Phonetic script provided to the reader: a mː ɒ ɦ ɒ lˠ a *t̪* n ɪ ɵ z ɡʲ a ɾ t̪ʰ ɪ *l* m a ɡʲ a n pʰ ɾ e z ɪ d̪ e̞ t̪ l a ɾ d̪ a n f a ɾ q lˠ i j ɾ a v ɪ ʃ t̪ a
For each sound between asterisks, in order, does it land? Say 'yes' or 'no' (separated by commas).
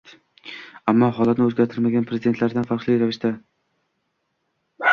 yes, no